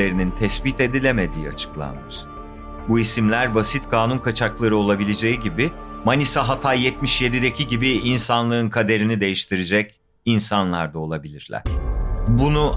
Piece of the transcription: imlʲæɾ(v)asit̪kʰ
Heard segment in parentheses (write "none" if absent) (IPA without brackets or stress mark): b